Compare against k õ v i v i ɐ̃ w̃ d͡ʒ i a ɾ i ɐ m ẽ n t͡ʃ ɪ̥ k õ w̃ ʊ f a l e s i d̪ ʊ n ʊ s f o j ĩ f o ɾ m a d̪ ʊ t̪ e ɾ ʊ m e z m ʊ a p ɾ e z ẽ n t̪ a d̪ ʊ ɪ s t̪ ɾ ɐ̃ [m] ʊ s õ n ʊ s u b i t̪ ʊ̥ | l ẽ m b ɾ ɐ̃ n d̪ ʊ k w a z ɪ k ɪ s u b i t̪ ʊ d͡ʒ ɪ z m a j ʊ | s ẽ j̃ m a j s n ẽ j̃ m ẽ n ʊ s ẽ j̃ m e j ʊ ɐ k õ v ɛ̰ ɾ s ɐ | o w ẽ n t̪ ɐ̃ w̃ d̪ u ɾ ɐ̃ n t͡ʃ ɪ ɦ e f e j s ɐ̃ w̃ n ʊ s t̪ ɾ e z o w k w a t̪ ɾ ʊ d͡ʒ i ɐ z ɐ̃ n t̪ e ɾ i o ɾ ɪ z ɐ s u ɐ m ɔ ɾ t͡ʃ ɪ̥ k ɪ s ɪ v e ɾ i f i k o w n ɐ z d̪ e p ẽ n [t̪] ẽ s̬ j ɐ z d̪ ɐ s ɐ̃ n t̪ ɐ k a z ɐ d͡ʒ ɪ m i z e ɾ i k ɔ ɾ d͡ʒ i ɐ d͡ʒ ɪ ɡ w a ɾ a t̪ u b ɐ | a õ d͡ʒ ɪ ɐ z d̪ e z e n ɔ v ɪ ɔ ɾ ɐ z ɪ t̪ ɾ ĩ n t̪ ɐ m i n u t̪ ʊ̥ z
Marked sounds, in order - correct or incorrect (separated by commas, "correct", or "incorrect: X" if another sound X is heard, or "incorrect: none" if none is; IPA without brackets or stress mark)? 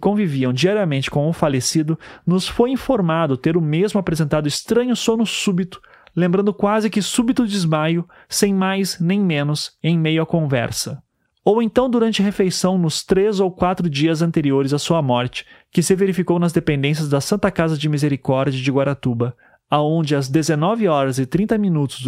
incorrect: ɲ, incorrect: d̪